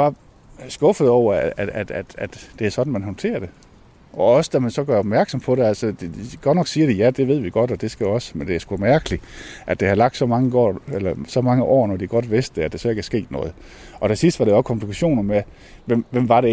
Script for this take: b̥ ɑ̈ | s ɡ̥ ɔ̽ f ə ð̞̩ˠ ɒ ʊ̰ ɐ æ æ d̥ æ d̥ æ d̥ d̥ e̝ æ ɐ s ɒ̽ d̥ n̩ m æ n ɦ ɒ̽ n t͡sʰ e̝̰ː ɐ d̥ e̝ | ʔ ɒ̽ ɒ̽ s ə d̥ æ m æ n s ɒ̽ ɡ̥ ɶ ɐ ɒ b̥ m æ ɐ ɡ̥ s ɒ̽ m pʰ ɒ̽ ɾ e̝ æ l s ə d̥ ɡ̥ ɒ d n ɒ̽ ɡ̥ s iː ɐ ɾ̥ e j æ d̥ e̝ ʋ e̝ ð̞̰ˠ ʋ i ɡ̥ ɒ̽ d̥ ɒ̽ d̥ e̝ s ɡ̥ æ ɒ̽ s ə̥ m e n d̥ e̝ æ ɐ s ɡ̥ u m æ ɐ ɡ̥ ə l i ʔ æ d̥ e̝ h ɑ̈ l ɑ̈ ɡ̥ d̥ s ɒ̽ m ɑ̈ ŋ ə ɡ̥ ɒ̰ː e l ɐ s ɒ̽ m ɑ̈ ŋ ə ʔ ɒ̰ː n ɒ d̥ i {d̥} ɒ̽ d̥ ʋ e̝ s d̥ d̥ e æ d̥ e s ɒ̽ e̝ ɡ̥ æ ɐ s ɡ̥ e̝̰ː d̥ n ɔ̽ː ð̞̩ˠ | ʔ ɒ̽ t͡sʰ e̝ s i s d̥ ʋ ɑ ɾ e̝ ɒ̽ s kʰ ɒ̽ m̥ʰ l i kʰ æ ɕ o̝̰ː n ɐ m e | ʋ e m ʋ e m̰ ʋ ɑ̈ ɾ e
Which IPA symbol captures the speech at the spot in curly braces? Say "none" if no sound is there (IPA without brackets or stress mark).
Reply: ɡ̥